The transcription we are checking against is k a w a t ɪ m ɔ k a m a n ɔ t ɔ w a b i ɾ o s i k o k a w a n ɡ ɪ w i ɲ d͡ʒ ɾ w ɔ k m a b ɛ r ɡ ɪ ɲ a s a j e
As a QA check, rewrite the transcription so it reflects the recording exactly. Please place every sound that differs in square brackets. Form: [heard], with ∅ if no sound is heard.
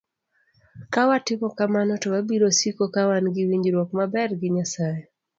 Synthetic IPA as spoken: k a w a t ɪ m ɔ k a m a n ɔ t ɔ w a b i ɾ o s i k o k a w a n ɡ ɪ w i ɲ d͡ʒ ɾ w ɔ k m a b ɛ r ɡ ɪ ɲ a s a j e